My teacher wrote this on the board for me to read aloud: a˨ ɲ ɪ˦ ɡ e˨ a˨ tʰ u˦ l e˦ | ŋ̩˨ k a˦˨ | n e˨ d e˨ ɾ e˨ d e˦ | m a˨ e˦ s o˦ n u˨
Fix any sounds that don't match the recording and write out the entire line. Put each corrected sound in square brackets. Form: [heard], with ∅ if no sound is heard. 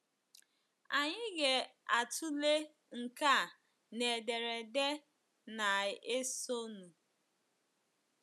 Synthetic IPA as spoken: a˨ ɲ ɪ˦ ɡ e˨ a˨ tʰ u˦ l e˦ | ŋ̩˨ k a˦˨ | n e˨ d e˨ ɾ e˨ d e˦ | [n] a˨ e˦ s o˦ n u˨